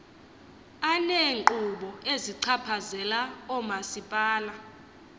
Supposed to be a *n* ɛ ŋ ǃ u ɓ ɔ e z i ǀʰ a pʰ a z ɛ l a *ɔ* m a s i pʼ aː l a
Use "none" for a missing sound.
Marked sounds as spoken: n, ɔ

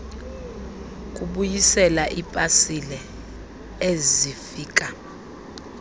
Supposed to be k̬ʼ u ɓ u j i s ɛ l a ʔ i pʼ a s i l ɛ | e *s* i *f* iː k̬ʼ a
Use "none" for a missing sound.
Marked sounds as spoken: z, f

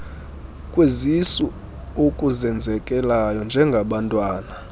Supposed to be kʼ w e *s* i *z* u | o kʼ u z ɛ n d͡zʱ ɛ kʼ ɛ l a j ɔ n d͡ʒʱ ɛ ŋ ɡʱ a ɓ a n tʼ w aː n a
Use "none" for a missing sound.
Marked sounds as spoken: z, s

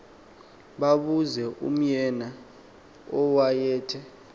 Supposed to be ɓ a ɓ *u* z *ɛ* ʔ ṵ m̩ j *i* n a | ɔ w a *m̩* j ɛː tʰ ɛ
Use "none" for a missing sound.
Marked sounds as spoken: u, ɛ, ɛ, none

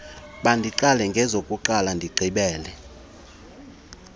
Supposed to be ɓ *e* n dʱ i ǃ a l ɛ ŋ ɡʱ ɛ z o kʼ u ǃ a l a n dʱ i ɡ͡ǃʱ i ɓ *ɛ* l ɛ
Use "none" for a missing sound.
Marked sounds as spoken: a, ɛː

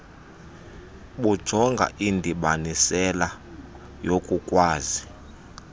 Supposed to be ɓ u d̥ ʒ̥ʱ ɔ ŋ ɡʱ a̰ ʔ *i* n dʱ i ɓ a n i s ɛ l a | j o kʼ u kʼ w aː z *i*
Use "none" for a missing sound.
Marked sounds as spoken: i, i

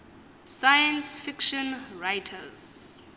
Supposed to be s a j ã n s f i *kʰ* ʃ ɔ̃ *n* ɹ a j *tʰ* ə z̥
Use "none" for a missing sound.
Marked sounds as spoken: k, n, tʰ

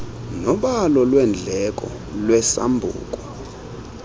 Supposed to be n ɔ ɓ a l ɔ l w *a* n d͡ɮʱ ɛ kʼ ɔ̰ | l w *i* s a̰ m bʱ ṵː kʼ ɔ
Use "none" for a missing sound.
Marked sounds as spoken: ɛ, ɛ

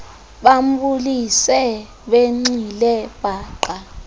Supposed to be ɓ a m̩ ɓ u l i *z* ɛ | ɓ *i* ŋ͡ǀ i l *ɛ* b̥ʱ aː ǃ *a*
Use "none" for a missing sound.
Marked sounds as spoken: s, e, ɛ, a

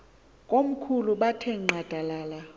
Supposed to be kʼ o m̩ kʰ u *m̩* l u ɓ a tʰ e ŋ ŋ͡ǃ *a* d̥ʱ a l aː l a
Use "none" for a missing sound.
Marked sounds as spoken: none, a

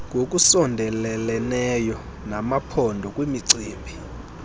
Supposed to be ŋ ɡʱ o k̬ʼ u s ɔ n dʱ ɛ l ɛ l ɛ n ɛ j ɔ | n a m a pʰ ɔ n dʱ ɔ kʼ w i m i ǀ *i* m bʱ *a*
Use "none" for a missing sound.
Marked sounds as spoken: iː, i

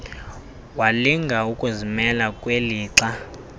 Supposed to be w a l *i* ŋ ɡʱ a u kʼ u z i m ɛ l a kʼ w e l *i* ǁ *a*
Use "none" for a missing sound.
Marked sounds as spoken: i, iː, a

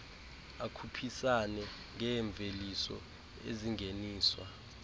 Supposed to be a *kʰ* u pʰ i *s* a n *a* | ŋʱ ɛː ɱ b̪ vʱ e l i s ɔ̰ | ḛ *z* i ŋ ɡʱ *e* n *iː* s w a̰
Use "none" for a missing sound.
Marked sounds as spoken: kʰ, s, ɛ, z, e, iː

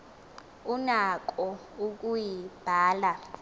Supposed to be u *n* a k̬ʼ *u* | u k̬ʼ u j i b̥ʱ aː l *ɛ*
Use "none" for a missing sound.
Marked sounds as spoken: n, ɔ, a

